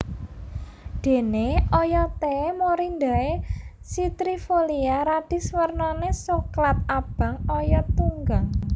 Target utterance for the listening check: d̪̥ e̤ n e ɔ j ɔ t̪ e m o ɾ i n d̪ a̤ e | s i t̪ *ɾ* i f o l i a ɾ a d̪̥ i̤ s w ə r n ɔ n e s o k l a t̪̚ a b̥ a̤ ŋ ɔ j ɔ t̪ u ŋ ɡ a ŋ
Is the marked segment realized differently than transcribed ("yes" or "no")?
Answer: no